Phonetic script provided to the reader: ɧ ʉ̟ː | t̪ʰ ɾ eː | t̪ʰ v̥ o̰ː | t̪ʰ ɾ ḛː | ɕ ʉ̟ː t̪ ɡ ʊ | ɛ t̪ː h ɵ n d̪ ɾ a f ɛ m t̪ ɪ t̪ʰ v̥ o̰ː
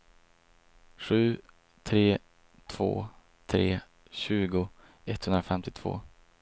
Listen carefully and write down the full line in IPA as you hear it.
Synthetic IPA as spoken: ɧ ʉ̟ː | t̪ʰ ɾ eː | t̪ʰ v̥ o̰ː | t̪ʰ ɾ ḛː | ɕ ʉ̟ː ɡ ʊ | ɛ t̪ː h ɵ n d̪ ɾ a f ɛ m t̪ ɪ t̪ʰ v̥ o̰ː

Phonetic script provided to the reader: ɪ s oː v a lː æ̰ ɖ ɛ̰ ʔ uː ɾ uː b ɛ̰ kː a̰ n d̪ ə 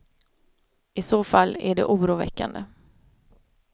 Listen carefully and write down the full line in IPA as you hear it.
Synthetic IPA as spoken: ɪ s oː f a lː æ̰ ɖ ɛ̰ ʔ uː ɾ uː v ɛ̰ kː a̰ n d̪ ə

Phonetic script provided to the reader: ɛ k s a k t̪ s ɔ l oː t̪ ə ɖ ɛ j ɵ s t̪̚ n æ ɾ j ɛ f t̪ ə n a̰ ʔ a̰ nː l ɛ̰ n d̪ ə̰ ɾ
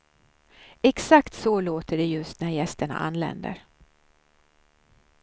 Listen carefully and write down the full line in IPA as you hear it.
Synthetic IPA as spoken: ɛ k s a k t̪ s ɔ l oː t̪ ə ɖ ɛ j ɵ s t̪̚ n æ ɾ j ɛ s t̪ ə ɳ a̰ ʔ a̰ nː l ɛ̰ n d̪ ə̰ ɾ

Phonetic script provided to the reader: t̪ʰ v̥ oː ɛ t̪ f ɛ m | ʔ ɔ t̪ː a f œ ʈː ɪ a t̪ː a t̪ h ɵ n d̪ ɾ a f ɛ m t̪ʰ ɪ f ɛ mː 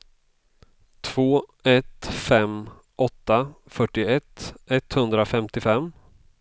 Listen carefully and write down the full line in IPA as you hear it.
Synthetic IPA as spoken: t̪ʰ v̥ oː ɛ t̪ f ɛ m | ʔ ɔ t̪ː a f œ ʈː ɪ ɛ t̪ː ɛ t̪ h ɵ n d̪ ɾ a f ɛ m t̪ ɪ f ɛ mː

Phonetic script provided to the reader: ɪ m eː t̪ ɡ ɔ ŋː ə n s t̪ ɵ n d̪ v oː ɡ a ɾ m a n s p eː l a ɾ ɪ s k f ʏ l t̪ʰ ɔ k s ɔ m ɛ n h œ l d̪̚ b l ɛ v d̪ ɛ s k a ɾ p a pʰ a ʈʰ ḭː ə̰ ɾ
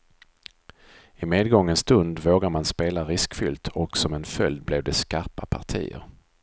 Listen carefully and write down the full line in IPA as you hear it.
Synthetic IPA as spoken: ɪ m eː d̪ ɡ ɔ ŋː ə n s t̪ ɵ n d̪ v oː ɡ a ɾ m a n s p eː l a ɾ ɪ s k f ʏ l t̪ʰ ɔ k s ɔ m ɛ n f œ l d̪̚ b l ɛ v d̪ ɛ s k a ɾ p a pʰ a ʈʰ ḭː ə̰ ɾ

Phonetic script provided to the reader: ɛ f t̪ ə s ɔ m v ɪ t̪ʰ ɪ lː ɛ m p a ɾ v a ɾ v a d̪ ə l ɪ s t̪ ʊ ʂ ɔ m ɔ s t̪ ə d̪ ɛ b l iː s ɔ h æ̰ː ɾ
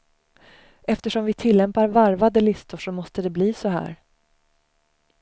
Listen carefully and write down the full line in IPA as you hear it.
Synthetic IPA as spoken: ɛ f t̪ ə ʂ ɔ m v ɪ t̪ʰ ɪ lː ɛ m p a ɾ v a ɾ v a d̪ ə l ɪ s t̪ ʊ ʂ ɔ m ɔ s t̪ ə d̪ ɛ b l iː s ɔ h æ̰ː ɾ

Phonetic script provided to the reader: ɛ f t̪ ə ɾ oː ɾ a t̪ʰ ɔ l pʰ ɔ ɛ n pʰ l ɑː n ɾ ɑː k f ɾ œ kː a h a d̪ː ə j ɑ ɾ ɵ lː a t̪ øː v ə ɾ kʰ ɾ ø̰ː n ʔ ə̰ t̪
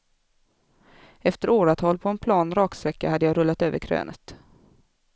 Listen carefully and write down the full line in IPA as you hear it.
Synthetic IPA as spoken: ɛ f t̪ ə ɾ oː ɾ a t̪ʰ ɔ l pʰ ɔ ɛ n pʰ l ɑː n ɾ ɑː k s ɾ ɛ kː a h a d̪ː ə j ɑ ɾ ɵ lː a t̪ øː v ə ɾ kʰ ɾ ø̰ː n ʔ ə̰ t̪

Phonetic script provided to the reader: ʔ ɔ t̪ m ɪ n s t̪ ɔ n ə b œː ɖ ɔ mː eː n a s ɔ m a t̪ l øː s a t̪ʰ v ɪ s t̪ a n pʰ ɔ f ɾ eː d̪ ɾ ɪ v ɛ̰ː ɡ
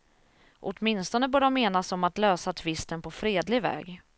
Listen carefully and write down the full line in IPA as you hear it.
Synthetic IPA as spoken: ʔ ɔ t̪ m ɪ n s t̪ ɔ n ə b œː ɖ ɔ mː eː n a s ɔ m a t̪ l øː s a t̪ʰ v ɪ s t̪ ə n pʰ ɔ f ɾ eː d̪ l ɪ v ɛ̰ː ɡ

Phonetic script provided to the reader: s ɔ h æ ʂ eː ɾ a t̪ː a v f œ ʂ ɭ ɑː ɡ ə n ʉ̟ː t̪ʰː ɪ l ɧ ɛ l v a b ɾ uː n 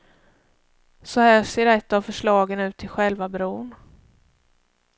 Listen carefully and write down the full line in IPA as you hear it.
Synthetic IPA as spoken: s ɔ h æː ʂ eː ɾ ɛ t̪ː a v f œ ʂ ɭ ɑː ɡ ə n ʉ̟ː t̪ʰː ɪ l ɧ ɛ l v a b ɾ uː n

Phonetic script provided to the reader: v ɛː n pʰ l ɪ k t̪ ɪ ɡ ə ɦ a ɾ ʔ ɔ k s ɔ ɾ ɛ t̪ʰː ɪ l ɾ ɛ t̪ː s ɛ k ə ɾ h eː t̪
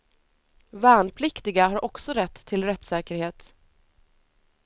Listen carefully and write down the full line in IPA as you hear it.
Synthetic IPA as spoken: v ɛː n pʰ l ɪ k t̪ ɪ ɡ a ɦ a ɾ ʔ ɔ k s ɔ ɾ ɛ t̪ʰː ɪ l ɾ ɛ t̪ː s ɛː k ə ɾ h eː t̪

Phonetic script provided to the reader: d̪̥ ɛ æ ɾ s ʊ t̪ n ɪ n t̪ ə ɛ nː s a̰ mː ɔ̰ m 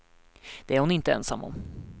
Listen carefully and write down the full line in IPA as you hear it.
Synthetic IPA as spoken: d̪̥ ɛ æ ɾ h ʊ n ɪ n t̪ ə ɛ n s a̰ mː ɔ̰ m

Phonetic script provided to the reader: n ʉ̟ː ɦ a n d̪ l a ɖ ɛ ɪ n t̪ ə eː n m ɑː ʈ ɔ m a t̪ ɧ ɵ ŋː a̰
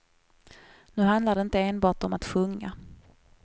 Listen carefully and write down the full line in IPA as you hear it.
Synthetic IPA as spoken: n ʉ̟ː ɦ a n d̪ l a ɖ ɛ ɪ n t̪ ə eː n b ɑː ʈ ɔ m a t̪ ɧ ɵ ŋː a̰

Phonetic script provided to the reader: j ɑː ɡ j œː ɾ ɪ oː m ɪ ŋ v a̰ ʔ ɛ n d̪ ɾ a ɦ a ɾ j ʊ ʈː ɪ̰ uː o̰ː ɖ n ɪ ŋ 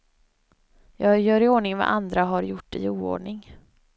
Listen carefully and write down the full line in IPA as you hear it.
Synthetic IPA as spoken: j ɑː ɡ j œː ɾ ɪ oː ɳ ɪ ŋ v a̰ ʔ a n d̪ ɾ a ɦ a ɾ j ʊ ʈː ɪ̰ uː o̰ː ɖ ɳ ɪ ŋ

